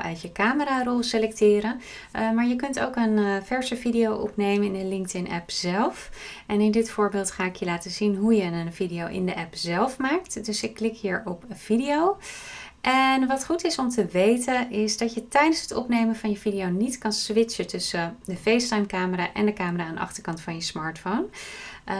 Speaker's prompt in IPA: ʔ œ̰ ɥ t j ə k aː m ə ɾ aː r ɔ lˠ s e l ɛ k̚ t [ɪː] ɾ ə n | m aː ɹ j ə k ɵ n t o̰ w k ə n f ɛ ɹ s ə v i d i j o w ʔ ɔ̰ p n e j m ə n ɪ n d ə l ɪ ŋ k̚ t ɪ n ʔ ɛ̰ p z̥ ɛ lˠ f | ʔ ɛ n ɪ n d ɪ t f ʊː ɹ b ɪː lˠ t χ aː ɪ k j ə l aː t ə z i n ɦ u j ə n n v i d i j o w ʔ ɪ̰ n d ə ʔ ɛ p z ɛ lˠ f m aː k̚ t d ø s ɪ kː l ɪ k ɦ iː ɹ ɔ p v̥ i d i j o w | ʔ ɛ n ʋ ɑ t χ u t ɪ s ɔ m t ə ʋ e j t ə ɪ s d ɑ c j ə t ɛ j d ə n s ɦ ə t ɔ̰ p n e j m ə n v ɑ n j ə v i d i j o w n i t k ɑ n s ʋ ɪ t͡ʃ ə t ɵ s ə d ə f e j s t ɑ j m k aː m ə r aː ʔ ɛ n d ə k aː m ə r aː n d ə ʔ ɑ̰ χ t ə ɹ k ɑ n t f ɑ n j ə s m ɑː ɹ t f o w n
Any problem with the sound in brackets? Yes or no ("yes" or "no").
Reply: no